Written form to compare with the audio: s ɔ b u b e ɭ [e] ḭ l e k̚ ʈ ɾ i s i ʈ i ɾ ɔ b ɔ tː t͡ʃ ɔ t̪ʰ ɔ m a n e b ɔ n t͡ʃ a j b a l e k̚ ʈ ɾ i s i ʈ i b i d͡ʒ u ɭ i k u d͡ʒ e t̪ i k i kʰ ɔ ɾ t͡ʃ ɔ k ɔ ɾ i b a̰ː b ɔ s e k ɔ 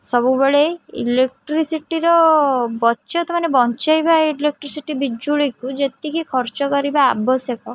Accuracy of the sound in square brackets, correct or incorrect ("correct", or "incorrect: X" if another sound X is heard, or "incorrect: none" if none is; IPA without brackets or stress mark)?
correct